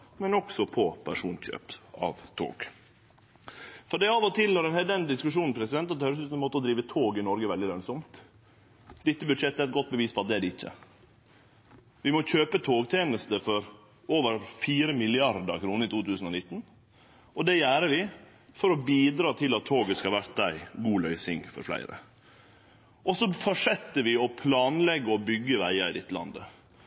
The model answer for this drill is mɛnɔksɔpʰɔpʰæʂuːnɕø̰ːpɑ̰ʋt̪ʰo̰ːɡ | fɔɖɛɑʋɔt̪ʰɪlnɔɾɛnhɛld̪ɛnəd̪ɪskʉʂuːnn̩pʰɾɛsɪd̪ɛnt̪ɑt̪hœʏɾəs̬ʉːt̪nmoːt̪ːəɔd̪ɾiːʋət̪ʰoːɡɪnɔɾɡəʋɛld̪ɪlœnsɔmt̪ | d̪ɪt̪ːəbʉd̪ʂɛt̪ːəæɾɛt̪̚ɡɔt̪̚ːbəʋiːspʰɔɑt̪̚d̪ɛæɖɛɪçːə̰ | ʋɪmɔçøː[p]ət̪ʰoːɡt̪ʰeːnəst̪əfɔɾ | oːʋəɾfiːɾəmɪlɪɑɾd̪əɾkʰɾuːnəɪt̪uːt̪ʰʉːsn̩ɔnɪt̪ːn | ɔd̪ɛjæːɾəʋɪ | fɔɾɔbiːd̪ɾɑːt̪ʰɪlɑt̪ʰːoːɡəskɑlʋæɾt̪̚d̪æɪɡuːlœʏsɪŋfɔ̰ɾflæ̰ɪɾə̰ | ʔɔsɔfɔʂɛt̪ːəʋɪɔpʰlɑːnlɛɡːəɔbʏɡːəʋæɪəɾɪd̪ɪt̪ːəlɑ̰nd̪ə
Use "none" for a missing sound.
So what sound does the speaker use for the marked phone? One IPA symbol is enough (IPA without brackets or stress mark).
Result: p